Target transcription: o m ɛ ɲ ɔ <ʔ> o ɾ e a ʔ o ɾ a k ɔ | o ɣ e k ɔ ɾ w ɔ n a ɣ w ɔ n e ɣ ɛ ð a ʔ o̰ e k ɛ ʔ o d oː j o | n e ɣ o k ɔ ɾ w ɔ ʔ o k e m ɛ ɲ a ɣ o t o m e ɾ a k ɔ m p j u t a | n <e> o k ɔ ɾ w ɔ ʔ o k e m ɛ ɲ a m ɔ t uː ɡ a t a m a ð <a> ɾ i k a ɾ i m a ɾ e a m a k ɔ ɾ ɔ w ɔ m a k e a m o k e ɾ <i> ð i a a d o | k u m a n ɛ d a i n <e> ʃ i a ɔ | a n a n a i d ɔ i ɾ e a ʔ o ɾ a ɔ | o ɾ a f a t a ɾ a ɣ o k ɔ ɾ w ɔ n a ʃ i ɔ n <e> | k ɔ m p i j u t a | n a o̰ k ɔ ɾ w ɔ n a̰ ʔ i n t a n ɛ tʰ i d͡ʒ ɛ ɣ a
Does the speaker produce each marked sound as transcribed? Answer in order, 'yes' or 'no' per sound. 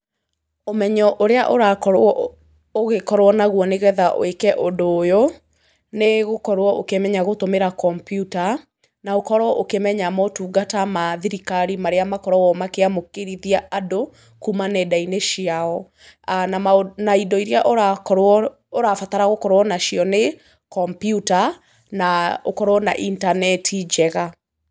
yes, no, no, yes, yes, yes

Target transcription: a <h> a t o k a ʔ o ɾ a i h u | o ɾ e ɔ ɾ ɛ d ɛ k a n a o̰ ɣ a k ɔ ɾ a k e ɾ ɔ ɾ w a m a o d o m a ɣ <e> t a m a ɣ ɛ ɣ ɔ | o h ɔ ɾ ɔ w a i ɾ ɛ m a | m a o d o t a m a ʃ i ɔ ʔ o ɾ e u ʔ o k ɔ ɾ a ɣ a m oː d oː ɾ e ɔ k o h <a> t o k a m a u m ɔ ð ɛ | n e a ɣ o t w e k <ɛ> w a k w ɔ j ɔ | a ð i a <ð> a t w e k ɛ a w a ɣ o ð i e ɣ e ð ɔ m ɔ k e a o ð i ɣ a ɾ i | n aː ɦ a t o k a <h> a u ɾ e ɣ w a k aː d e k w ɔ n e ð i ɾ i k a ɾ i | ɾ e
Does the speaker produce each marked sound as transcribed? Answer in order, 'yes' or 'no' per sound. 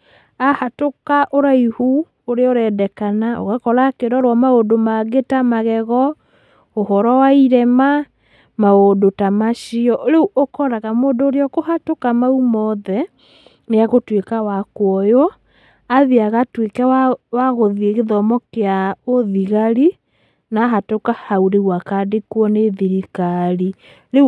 yes, yes, yes, no, no, yes

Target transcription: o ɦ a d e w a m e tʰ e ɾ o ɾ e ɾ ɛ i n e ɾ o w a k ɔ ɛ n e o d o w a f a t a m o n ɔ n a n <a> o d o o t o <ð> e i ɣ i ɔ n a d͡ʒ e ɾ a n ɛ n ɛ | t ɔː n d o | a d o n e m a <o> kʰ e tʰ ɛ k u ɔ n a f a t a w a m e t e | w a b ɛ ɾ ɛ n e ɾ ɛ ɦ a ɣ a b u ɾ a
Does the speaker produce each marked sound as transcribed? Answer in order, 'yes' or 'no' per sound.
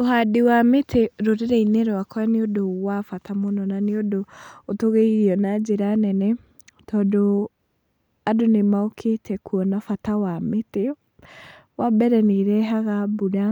no, no, yes

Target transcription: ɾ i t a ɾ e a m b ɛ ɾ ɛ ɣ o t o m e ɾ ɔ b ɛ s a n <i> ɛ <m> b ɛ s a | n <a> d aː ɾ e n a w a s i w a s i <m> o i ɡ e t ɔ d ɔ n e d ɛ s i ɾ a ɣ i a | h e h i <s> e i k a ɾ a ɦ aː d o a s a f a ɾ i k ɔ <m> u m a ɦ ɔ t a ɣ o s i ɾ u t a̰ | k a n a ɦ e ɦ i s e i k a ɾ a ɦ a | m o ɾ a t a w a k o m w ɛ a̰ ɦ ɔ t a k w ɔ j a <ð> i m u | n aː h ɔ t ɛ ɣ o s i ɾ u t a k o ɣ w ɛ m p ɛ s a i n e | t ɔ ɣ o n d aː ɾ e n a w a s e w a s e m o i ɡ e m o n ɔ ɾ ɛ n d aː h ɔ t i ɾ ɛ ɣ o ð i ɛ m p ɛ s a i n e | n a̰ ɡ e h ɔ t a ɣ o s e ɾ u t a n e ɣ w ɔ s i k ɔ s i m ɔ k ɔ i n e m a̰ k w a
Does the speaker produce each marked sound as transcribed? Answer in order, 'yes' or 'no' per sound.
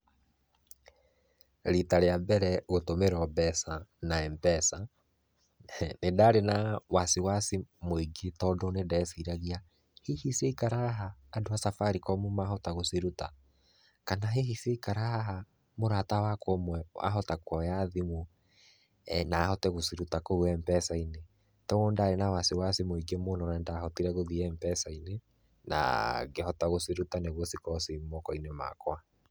no, yes, no, yes, yes, yes, yes

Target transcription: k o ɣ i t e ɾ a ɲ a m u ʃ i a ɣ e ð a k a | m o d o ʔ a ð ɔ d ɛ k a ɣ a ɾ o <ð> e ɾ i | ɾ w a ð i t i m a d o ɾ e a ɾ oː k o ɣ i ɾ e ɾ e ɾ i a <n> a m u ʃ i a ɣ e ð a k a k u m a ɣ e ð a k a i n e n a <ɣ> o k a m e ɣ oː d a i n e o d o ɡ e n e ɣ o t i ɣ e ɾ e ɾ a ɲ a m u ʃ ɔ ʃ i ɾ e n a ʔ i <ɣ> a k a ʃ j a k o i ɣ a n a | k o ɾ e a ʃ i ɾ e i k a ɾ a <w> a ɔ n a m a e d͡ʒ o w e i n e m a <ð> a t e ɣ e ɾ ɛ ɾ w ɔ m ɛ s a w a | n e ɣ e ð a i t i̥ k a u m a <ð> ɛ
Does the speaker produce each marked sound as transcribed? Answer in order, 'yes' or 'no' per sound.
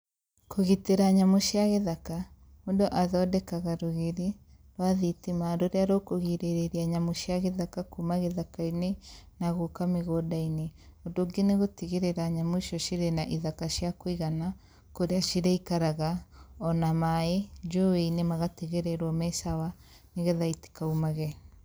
no, no, yes, no, no, no, no

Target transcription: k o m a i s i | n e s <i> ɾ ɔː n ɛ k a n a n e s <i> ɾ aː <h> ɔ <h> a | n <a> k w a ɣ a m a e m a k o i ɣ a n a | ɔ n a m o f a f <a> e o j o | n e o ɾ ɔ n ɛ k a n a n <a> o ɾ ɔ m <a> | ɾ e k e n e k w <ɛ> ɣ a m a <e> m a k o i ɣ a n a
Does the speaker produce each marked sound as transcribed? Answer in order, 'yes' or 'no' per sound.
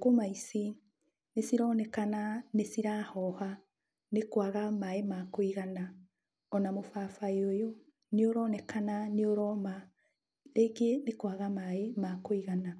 yes, yes, yes, yes, no, yes, no, yes, no, yes

